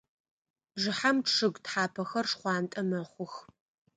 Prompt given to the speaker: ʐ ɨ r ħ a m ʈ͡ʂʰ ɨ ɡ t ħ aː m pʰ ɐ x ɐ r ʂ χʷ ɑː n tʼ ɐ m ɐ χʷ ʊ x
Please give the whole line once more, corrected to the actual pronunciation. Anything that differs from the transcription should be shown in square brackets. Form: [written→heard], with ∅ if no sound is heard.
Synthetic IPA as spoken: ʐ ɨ [r→∅] ħ a m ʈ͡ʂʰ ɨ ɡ t ħ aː [m→∅] pʰ ɐ x ɐ r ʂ χʷ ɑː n tʼ ɐ m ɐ χʷ ʊ x